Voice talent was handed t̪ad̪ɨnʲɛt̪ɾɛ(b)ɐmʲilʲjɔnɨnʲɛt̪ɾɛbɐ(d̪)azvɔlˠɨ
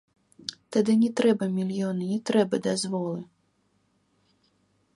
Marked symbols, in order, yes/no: yes, yes

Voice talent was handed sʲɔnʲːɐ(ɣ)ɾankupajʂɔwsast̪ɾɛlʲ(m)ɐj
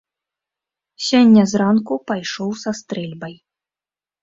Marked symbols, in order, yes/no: no, no

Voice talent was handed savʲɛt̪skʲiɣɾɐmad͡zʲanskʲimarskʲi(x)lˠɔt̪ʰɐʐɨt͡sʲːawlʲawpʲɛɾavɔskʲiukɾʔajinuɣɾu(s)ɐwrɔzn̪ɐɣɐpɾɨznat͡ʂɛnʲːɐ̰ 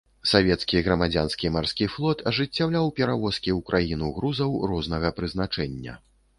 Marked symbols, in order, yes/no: no, no

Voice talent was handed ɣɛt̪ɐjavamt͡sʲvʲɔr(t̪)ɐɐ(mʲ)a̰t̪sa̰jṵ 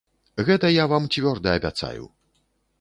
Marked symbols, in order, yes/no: no, no

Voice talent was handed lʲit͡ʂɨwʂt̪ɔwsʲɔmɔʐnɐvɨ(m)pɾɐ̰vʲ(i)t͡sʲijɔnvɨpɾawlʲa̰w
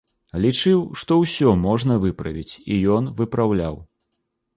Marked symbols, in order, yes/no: no, yes

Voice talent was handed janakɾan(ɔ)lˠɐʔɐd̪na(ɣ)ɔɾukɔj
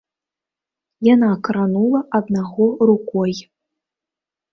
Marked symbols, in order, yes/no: no, yes

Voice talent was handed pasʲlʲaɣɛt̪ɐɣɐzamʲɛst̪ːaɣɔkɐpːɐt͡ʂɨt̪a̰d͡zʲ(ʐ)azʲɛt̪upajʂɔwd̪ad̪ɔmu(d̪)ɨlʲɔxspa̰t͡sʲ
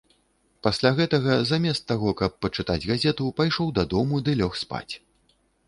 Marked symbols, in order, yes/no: no, yes

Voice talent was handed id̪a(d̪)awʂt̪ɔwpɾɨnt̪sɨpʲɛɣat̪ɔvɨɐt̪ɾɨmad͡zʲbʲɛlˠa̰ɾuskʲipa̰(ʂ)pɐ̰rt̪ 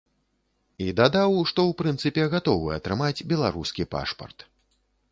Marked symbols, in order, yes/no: yes, yes

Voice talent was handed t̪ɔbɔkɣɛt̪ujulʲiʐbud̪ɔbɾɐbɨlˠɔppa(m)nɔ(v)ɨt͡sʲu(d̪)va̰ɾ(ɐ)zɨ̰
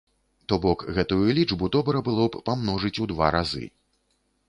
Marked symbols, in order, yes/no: yes, no, yes, no

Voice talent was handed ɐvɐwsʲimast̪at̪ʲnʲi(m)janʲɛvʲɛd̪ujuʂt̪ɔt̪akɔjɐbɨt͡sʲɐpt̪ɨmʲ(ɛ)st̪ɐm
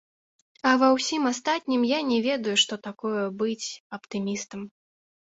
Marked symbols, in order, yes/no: yes, no

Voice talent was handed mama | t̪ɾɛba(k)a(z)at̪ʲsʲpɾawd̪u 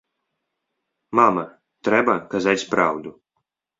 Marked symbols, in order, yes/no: yes, yes

